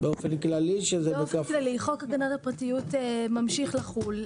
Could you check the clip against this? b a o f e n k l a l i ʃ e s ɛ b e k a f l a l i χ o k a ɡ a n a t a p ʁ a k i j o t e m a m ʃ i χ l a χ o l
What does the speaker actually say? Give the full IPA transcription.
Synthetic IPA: b e o f e n k l a l i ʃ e z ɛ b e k a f l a l i χ o k a ɡ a n a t a p ʁ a t i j u t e m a m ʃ i χ l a χ u l

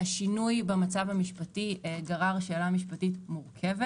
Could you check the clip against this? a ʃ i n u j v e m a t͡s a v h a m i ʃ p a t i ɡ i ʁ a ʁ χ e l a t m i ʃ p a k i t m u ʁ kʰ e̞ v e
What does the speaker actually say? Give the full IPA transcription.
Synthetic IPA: a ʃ i n u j b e m a t͡s a v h a m i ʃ p a t i ɡ a ʁ a ʁ ʃ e l a m i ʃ p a t i t m u ʁ kʰ e̞ v e

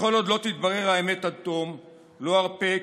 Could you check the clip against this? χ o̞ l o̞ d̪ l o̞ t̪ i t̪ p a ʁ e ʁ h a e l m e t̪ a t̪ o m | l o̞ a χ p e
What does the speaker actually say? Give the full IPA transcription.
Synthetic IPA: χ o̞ l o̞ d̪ l o̞ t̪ i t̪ b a ʁ e ʁ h a e m e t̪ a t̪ o m | l o̞ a ʁ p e

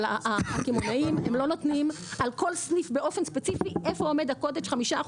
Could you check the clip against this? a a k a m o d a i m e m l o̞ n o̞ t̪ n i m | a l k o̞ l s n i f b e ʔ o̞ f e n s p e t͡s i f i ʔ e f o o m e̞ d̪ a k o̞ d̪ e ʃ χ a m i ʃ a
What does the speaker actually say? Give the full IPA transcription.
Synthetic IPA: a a k i m o n a i m e m l o̞ n o̞ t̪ n i m | a l k o̞ l s n i f b e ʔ o̞ f e n s p e t͡s i f i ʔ e f o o m e̞ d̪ a k o̞ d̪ e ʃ χ a m i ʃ a

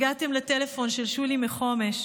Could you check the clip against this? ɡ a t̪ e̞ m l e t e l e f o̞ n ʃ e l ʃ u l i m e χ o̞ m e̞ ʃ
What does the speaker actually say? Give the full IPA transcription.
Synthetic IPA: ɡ a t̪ e̞ m l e t e l e f o̞ n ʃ e l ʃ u l i m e χ o̞ m e̞ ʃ

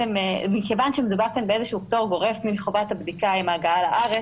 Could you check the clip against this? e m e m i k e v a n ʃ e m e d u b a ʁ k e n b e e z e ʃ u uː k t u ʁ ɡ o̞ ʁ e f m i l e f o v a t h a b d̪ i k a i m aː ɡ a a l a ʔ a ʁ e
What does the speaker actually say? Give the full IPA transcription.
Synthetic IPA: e m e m i k e v a n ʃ e m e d u b a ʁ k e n b e e z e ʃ u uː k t o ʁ ɡ o̞ ʁ e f m i l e χ o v a t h a b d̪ i k a i m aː ɡ a a l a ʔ a ʁ e

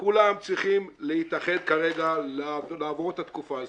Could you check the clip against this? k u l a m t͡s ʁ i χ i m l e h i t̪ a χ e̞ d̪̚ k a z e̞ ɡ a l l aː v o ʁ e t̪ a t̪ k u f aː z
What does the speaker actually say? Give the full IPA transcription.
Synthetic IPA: k u l a m t͡s ʁ i χ i m l e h i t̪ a χ e̞ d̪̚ k a ʁ e̞ ɡ a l l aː v o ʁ e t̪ a t̪ k u f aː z

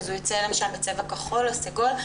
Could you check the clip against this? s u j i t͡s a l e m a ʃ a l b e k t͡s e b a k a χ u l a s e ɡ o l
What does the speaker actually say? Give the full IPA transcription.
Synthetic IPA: z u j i t͡s e l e m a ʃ a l b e t͡s e v a k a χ o l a s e ɡ o l

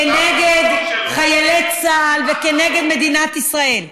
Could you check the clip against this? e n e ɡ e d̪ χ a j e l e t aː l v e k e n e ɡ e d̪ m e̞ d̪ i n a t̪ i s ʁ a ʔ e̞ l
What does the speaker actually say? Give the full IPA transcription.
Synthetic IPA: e n e ɡ e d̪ χ a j e l e t͡s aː l v e k e n e ɡ e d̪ m e̞ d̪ i n a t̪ i s ʁ a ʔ e̞ l

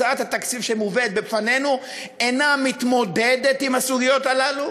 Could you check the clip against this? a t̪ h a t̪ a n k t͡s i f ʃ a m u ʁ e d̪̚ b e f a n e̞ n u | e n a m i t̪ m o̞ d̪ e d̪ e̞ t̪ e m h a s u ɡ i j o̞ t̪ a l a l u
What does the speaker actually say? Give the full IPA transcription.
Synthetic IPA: a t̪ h a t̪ a k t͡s i f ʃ e m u v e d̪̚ b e f a n e̞ n u | e n a m i t̪ m o̞ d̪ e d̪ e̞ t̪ i m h a s u ɡ i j o̞ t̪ a l a l u

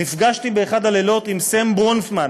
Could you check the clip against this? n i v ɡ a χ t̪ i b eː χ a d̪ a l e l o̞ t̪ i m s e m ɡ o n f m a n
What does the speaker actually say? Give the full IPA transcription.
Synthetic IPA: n i f ɡ a ʃ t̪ i b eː χ a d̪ a l e l o̞ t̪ i m s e m b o n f m a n

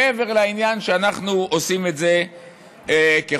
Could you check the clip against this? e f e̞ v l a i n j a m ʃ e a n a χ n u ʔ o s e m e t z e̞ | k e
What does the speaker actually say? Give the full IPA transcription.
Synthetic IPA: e v e̞ ʁ l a i n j a n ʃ e a n a χ n u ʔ o s i m e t z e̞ | k e

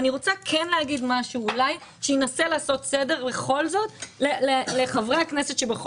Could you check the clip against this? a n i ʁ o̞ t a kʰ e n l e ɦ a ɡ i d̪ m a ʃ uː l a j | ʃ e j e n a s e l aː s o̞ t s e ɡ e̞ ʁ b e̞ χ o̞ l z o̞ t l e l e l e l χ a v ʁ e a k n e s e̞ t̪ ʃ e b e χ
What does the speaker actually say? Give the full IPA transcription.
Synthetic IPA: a n i ʁ o̞ t͡s a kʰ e n l e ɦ a ɡ i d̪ m a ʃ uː l a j | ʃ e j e n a s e l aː s o̞ t s e d e̞ ʁ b e̞ χ o̞ l z o̞ t l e l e l e χ a v ʁ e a k n e s e̞ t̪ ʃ e b e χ

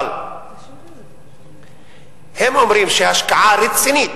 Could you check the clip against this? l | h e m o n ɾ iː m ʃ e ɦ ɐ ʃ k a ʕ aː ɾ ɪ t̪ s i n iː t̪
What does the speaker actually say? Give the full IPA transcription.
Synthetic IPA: l | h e m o m ɾ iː m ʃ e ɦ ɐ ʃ k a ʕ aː ɾ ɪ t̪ s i n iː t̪

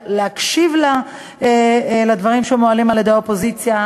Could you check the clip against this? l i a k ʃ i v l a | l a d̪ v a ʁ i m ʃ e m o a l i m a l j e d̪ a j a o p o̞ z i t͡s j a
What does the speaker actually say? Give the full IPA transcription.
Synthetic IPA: l e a k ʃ i v l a | l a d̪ v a ʁ i m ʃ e m o a l i m a l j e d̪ e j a o p o̞ z i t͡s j a

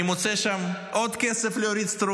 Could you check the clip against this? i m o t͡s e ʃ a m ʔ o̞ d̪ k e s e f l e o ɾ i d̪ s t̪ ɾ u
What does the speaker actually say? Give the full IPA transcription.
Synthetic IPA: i m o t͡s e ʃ a m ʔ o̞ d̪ k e s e f l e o ɾ i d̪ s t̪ ɾ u

